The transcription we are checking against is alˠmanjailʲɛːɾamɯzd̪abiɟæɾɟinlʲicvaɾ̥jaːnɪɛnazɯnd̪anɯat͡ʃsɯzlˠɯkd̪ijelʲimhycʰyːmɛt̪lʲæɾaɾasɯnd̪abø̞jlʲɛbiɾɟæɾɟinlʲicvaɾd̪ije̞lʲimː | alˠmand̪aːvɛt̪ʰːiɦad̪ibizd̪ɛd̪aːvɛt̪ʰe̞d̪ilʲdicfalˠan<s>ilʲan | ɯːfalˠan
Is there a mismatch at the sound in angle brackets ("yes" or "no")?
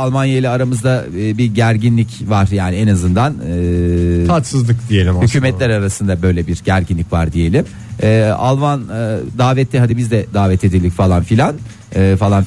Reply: yes